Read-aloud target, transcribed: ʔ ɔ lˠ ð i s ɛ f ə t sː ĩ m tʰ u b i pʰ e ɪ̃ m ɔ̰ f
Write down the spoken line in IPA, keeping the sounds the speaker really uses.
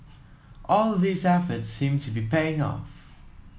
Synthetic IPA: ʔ ɔ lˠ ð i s ɛ f ə t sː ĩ m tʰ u b i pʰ e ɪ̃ ŋ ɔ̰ f